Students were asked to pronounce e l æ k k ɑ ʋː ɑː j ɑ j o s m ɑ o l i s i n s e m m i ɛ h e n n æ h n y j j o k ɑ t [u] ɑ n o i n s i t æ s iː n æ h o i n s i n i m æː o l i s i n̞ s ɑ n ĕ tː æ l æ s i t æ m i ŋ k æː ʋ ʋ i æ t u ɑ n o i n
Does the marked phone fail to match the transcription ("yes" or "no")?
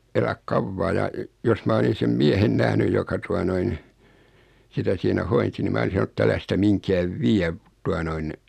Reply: no